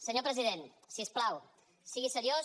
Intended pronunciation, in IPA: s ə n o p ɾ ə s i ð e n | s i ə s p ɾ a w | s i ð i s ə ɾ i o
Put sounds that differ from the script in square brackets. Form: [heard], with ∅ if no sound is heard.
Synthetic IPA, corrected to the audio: s ə [ɲ] o p ɾ ə [z] i ð e n | s i ə s p [l] a w | s i [ɣ] i s ə ɾ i o